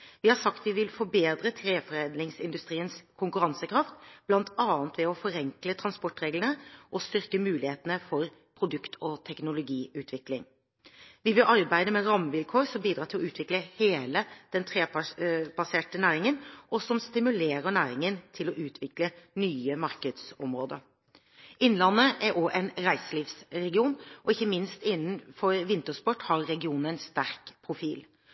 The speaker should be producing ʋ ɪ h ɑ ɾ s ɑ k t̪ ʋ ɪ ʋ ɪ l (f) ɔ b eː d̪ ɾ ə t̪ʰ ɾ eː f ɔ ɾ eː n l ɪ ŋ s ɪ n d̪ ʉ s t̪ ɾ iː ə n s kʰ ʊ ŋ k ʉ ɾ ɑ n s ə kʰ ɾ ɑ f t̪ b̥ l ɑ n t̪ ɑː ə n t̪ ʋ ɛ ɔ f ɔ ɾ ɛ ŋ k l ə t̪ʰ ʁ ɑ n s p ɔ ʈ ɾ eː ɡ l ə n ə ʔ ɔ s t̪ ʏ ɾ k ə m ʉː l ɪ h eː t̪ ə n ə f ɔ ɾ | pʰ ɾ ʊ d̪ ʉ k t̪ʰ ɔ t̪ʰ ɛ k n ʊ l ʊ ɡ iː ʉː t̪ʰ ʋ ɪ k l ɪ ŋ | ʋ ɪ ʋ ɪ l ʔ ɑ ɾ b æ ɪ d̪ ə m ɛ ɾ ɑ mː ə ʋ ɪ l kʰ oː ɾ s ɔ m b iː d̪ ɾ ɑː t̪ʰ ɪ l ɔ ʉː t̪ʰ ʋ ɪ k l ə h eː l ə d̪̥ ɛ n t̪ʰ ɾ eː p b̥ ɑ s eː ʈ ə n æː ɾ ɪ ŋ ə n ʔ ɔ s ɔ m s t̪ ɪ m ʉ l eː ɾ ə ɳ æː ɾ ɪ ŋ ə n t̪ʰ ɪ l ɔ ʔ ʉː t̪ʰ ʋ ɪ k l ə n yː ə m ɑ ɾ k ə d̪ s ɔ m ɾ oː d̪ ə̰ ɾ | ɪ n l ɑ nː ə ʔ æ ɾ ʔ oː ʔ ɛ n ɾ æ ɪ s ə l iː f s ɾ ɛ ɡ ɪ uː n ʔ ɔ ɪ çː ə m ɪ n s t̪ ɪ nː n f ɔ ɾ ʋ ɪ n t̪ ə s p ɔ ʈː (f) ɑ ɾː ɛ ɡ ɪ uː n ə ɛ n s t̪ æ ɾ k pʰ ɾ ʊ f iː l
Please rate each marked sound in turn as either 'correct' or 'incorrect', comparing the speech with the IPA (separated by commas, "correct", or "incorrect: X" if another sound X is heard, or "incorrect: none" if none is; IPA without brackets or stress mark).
correct, incorrect: h